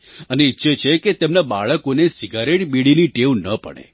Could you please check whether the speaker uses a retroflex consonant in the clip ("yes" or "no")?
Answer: yes